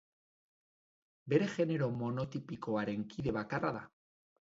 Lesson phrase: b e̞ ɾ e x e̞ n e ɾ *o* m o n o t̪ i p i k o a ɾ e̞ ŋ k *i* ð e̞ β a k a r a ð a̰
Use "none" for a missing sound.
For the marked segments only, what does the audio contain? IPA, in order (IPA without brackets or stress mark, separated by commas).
o, i